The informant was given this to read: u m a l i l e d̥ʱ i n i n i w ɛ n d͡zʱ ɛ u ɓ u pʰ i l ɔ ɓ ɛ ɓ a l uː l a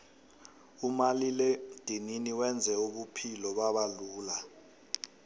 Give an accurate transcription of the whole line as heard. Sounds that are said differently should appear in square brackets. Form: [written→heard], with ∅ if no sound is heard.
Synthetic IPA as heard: u m a l i l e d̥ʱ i n i n i w ɛ n d͡zʱ ɛ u ɓ u pʰ i l ɔ ɓ [ɛ→a] ɓ a l uː l a